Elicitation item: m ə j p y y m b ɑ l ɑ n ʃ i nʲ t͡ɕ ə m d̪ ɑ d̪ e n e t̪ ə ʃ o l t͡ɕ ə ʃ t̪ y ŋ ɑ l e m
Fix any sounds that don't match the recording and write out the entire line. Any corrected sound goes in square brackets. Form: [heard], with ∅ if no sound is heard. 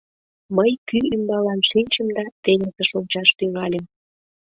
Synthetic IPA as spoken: m ə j [k] y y m b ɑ l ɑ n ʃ i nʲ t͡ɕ ə m d̪ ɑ [t̪] e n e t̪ ə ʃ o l t͡ɕ [ɑ] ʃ t̪ y ŋ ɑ l e m